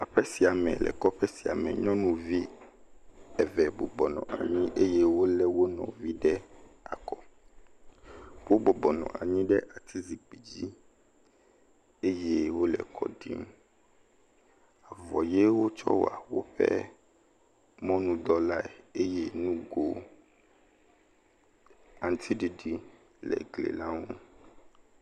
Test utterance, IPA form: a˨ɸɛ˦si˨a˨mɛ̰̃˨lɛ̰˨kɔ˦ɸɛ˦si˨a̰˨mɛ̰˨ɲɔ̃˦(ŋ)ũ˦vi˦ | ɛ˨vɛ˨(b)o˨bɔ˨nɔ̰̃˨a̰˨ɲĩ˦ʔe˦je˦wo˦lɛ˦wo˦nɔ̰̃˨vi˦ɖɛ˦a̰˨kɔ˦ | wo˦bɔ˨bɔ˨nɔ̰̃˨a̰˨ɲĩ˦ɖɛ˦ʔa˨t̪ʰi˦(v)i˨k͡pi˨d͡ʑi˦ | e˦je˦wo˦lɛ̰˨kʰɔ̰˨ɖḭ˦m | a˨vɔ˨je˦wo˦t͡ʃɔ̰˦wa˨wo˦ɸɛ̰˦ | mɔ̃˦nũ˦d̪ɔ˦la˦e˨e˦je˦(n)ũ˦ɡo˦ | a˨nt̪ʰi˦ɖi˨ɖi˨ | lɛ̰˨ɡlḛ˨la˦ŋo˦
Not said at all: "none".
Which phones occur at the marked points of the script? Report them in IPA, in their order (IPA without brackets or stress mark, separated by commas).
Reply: n, b, z, n